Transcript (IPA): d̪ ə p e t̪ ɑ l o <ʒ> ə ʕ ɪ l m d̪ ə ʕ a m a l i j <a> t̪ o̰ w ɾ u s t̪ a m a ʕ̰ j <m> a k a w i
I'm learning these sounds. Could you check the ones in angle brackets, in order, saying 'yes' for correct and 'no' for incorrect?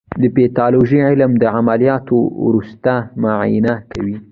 yes, no, no

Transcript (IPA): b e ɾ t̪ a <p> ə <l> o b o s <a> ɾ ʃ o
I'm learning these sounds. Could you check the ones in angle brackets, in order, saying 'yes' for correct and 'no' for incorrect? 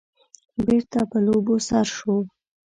yes, yes, yes

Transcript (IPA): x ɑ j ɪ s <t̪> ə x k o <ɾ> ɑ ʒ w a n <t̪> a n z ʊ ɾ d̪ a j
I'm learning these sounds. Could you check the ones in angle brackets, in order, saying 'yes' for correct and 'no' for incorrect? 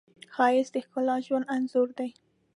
no, no, no

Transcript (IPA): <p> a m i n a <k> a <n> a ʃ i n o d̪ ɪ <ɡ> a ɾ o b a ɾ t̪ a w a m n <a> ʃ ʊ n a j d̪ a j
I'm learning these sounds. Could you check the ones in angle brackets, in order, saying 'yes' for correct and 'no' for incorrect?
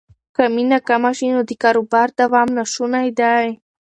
no, yes, no, no, yes

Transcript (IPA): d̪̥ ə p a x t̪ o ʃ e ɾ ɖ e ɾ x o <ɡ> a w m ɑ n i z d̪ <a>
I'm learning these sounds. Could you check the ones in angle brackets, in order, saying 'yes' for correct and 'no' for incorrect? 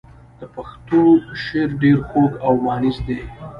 yes, no

